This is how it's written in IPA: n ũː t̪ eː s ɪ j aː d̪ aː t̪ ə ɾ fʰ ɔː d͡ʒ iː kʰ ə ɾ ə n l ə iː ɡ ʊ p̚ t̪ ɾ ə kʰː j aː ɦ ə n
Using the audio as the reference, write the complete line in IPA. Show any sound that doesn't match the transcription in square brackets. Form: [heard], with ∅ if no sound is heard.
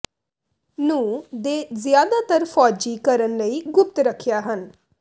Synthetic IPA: n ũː [d̪] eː [z] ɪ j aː d̪ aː t̪ ə ɾ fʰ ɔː d͡ʒ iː [k] ə ɾ ə n l ə iː ɡ ʊ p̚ t̪ ɾ ə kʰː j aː ɦ ə n

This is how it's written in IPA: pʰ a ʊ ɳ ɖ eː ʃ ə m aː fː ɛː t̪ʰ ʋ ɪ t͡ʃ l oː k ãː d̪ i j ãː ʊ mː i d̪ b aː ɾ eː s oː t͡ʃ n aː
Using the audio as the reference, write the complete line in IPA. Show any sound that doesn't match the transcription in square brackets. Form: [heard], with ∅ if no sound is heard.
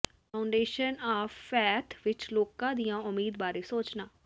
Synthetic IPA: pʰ a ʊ ɳ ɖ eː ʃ ə [n] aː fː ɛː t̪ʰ ʋ ɪ t͡ʃ l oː k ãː d̪ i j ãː ʊ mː [iː] d̪ b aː ɾ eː s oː t͡ʃ n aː

